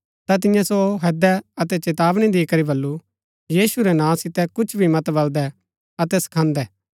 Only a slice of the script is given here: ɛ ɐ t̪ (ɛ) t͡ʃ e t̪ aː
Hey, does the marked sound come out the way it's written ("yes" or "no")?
yes